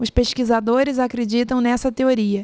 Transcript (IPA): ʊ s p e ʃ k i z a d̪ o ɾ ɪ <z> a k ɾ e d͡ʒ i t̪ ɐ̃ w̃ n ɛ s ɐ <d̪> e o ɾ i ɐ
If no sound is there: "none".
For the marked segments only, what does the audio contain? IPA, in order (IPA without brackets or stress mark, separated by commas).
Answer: z, t̪